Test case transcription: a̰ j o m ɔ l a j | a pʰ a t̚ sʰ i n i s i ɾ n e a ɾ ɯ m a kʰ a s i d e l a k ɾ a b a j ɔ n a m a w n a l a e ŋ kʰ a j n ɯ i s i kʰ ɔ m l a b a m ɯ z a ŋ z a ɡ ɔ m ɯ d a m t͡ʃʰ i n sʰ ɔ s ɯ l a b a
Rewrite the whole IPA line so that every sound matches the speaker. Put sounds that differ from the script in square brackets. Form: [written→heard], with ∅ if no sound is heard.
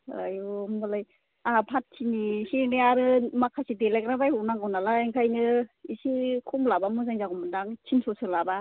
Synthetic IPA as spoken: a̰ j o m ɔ l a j | a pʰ a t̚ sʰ i n i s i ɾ n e a ɾ ɯ m a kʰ a s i d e l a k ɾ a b a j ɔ n a [m→ŋ] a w n a l a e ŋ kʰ a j n ɯ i s i kʰ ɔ m l a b a m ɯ z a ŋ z a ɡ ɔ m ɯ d a [m→ŋ] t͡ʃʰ i n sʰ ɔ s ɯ l a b a

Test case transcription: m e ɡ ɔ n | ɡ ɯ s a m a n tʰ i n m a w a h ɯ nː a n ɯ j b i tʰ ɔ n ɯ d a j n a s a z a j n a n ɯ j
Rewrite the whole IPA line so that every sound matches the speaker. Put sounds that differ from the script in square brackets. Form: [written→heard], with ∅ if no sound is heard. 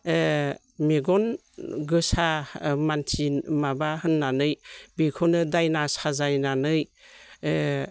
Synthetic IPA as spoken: m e ɡ ɔ n | ɡ ɯ s a m a n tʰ i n m a [w→b] a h ɯ nː a n ɯ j b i [tʰ→kʰ] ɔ n ɯ d a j n a s a z a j n a n ɯ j

